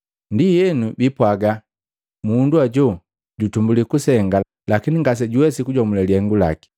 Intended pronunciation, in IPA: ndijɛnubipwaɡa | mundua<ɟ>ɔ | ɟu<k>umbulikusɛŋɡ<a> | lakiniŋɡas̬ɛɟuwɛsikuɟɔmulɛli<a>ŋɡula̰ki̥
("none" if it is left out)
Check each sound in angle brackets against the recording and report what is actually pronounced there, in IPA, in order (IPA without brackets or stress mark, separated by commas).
ɟ, t, a, ɛ